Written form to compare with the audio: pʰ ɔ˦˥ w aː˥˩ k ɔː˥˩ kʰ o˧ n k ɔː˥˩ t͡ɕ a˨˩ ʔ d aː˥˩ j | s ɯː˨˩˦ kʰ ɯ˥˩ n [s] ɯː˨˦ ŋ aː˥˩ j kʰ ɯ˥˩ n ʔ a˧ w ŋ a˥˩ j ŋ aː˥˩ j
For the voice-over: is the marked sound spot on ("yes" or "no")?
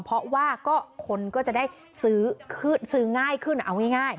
yes